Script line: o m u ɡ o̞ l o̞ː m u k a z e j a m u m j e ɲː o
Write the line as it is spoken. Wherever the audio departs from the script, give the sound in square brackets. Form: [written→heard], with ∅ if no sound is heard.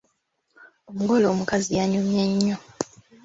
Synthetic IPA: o m u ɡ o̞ l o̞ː m u k a z [e→i] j a [m→ɲ] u m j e ɲː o